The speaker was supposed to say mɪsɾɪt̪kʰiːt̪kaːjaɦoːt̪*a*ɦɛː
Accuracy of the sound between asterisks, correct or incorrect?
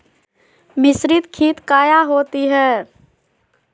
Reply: incorrect